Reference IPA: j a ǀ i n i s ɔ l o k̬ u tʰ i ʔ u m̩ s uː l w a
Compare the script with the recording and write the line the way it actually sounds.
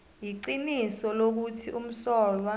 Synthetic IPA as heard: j i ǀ i n i s ɔ l o k̬ u tʰ i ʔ u m̩ s ɔː l w a